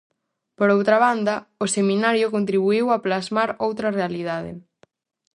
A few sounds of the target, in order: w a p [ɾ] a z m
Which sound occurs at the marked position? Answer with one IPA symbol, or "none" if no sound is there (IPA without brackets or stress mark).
l